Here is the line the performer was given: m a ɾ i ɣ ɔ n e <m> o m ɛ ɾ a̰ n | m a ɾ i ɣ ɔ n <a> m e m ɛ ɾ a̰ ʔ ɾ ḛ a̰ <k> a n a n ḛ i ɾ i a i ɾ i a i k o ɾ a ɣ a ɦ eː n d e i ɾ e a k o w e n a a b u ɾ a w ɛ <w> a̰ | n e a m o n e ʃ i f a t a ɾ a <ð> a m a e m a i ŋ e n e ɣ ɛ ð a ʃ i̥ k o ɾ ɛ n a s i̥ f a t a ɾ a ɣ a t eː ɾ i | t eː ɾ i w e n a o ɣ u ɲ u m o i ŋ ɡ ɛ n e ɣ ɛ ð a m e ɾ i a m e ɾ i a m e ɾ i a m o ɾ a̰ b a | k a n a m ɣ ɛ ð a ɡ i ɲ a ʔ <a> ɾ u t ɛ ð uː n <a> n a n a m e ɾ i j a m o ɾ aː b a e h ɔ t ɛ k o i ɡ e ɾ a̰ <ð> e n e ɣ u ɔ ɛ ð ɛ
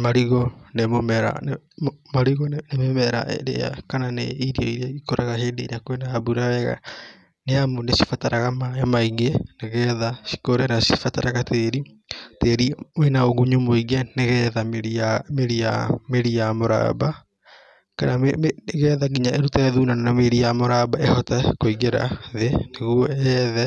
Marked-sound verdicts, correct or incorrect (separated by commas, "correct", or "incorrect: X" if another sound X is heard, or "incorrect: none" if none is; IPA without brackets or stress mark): correct, incorrect: e, correct, incorrect: ɣ, incorrect: ɣ, incorrect: e, correct, correct